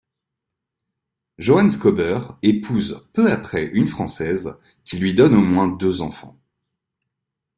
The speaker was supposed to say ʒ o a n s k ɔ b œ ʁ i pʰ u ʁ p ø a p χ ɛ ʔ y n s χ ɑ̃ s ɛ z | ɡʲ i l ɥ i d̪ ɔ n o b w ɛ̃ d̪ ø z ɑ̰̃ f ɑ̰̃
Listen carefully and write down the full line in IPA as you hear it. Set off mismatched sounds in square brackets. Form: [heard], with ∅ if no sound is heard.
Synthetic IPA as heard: ʒ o a n s k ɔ b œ ʁ [e] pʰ u [z] p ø a p χ ɛ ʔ y n [f] χ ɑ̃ s ɛ z | [kʲ] i l ɥ i d̪ ɔ n o [m] w ɛ̃ d̪ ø z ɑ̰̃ f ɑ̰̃